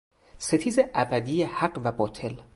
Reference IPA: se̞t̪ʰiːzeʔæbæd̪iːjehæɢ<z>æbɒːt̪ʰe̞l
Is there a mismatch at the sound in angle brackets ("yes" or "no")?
yes